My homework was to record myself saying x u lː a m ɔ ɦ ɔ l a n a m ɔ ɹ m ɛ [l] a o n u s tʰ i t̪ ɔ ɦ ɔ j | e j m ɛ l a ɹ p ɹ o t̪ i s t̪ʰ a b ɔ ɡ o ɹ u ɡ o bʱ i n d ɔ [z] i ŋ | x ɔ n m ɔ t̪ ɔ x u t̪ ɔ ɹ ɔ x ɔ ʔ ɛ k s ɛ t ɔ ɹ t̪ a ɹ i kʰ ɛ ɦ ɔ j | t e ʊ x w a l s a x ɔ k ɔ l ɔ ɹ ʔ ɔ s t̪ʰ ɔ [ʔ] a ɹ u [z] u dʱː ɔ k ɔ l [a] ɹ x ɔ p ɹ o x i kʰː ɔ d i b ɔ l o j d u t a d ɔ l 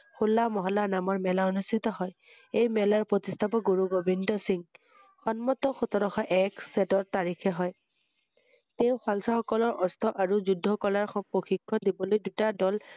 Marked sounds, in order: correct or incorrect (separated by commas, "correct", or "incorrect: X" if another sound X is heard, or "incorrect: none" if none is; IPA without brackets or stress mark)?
correct, incorrect: s, correct, correct, correct